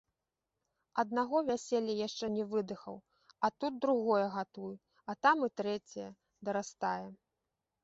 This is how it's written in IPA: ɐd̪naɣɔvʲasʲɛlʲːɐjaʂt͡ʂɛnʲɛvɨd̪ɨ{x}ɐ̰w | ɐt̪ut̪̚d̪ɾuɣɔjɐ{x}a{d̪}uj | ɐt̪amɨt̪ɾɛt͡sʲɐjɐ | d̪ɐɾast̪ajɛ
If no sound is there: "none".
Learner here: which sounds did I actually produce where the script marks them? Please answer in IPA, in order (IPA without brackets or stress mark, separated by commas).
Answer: x, ɣ, t̪